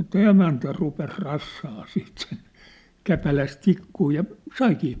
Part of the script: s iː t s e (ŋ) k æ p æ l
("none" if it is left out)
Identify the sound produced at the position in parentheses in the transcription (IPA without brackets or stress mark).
n